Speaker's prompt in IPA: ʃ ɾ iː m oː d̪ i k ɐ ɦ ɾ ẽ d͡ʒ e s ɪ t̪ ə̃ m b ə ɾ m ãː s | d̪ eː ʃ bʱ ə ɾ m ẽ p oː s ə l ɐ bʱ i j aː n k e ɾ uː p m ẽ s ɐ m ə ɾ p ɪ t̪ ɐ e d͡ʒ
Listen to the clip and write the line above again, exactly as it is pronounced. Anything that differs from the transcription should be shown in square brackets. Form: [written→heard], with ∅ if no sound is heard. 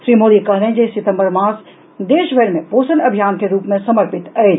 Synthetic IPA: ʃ ɾ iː m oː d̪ i k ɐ ɦ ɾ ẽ d͡ʒ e s ɪ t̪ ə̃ m b ə ɾ m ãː s | d̪ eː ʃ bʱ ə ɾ m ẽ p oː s ə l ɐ bʱ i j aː n k e ɾ uː p m ẽ s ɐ m ə ɾ p ɪ t̪ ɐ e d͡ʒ